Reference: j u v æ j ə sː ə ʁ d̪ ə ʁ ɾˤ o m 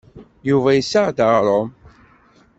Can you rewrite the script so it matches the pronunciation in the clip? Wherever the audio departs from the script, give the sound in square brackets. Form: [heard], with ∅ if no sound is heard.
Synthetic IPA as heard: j u v æ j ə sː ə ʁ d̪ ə ʁ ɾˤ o m